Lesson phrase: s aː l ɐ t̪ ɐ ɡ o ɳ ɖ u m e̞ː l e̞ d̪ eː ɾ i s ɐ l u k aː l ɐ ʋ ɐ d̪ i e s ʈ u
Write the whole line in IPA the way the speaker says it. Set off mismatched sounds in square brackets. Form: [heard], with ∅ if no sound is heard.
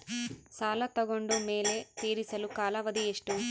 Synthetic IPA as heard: s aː l ɐ t̪ ɐ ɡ o ɳ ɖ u m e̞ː l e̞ [t̪] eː ɾ i s ɐ l u k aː l ɐ ʋ ɐ d̪ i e [ʂ] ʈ u